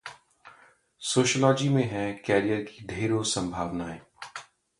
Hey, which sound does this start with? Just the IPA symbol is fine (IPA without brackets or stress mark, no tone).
s